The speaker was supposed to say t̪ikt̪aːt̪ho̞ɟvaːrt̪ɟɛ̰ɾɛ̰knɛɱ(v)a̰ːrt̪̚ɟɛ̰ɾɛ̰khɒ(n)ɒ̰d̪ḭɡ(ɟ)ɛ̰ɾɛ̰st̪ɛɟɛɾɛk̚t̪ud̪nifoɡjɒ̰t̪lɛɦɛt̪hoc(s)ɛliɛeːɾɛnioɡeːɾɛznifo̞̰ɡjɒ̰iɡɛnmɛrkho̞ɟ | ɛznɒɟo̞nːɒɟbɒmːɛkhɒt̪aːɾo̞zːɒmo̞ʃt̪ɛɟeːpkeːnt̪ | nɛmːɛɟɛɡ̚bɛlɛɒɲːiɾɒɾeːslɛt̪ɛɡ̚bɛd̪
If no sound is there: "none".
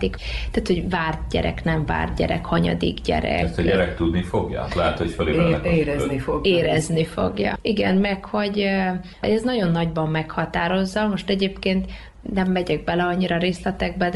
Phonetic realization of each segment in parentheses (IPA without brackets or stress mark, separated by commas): v, ɲ, ɟ, f